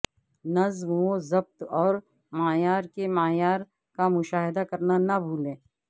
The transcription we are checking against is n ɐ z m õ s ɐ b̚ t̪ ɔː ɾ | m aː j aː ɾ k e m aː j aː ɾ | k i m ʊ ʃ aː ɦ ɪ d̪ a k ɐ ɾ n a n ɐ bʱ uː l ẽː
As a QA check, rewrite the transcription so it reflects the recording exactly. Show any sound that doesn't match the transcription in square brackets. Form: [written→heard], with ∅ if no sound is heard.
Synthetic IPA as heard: n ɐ z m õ [s→z] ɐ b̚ t̪ ɔː ɾ | m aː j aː ɾ k e m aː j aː ɾ | k [i→a] m ʊ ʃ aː ɦ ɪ d̪ a k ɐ ɾ n a n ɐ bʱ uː l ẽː